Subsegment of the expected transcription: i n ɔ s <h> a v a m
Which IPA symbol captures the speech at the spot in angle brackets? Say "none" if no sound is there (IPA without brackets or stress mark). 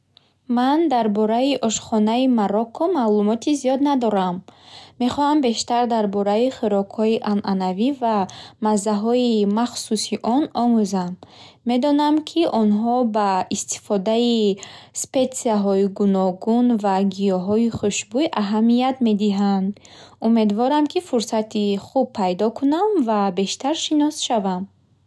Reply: ʃ